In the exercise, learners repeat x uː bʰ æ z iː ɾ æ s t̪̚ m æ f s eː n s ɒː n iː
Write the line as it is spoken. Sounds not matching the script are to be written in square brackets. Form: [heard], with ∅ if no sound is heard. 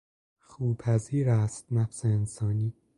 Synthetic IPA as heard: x uː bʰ æ z iː ɾ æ s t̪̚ [n] æ f s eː n s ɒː n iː